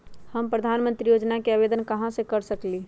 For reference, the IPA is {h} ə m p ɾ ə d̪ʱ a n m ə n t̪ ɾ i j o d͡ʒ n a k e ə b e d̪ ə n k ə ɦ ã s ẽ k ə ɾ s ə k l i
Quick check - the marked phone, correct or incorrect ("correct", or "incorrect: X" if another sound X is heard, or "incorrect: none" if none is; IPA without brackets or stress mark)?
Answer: correct